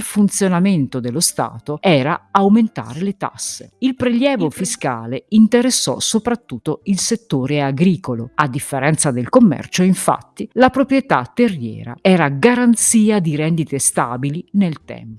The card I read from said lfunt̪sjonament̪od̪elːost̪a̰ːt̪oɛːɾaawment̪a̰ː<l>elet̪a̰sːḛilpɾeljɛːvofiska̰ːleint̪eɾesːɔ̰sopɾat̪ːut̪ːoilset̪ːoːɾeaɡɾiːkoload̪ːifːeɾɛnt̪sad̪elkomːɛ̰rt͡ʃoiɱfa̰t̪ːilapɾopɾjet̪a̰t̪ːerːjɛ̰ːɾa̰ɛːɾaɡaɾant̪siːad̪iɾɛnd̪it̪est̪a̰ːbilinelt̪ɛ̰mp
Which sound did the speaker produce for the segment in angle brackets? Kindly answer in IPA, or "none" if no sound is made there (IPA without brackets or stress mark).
ɾ